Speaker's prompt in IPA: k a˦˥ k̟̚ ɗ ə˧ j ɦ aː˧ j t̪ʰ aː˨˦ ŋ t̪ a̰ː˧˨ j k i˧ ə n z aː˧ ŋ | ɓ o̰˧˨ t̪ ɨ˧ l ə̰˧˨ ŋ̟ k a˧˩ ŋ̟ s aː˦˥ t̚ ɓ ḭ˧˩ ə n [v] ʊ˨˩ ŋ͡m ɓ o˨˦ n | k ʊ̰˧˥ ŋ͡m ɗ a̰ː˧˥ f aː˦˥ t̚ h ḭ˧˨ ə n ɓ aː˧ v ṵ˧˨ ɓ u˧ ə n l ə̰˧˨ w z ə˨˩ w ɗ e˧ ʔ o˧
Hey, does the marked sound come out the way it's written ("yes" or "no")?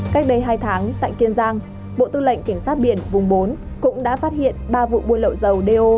yes